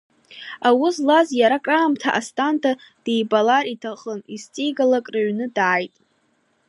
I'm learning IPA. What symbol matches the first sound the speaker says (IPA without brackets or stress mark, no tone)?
a